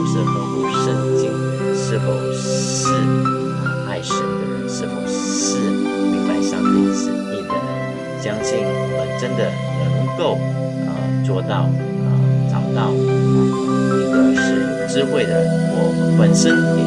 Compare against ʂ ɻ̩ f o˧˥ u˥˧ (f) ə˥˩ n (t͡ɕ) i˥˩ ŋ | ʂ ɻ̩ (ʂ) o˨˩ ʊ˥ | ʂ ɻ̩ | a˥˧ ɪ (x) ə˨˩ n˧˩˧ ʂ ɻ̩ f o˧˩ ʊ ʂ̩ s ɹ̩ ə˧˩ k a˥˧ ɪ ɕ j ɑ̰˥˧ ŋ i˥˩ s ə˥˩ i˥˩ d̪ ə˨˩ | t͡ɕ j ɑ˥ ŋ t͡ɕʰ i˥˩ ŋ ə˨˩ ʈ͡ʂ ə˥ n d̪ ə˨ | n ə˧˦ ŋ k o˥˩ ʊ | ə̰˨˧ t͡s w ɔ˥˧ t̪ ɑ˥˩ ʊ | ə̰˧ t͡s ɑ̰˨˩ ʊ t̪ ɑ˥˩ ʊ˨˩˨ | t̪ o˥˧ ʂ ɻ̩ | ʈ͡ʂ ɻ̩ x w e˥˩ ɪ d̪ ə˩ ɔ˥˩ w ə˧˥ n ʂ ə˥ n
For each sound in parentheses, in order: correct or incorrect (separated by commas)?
incorrect, correct, incorrect, incorrect